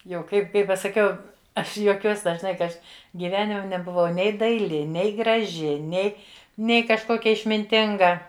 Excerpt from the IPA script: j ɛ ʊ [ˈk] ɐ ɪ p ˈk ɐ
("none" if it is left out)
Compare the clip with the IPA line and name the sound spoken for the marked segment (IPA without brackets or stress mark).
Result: k